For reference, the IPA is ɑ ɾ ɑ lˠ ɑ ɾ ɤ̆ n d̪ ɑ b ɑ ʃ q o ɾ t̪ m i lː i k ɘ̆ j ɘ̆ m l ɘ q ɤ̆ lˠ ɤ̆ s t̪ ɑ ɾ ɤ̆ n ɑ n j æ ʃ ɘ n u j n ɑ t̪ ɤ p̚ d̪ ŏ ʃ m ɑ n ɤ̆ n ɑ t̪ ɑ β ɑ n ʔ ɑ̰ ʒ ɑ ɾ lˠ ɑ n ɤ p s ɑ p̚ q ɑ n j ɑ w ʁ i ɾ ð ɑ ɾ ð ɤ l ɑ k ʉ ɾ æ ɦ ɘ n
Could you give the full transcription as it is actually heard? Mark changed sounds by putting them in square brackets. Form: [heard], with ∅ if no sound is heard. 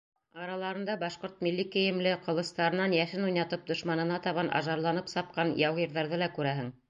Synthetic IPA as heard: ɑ ɾ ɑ lˠ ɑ ɾ ɤ̆ n d̪ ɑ b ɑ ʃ q o ɾ t̪ m i lː i k ɘ̆ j ɘ̆ m l ɘ q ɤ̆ lˠ ɤ̆ s t̪ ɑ ɾ ɤ̆ n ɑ n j æ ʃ ɘ n u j n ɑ t̪ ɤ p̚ d̪ ŏ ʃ m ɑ n ɤ̆ n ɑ t̪ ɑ β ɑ n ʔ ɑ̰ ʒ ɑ ɾ lˠ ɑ n ɤ p s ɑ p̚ q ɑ n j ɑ w ʁ i ɾ ð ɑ ɾ ð ɤ l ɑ k ʉ ɾ æ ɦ ɘ [ŋ]